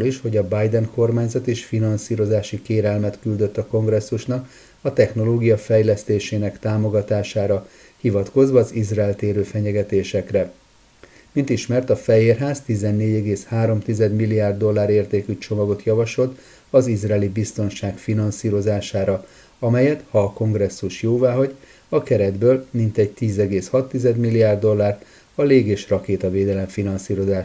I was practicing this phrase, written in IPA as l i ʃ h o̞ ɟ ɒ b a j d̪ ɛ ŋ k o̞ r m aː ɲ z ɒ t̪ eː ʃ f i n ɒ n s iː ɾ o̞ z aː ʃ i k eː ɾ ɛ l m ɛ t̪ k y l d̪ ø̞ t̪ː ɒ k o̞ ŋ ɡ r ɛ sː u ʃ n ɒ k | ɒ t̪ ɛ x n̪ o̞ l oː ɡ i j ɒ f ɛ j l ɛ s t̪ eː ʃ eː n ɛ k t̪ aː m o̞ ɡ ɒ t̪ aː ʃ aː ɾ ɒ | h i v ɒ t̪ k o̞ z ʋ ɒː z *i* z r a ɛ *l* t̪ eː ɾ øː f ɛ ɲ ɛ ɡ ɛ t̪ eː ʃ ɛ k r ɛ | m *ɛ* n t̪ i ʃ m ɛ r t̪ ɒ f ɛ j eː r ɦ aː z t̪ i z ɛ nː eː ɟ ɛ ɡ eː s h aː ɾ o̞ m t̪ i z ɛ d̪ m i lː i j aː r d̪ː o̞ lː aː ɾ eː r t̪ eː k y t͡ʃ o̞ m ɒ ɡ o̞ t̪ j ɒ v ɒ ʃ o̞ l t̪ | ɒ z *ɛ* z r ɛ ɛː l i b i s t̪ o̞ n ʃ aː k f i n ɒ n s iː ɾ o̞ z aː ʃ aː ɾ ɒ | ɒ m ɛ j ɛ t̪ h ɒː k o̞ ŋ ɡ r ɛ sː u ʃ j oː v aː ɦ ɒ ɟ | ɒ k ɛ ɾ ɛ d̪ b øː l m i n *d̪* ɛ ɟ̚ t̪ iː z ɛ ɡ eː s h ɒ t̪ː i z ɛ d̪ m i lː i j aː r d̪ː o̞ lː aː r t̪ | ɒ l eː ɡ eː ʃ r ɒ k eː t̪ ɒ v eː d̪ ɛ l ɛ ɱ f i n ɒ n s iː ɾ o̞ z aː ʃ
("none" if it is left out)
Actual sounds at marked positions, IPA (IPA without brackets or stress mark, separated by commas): i, l, i, i, t̪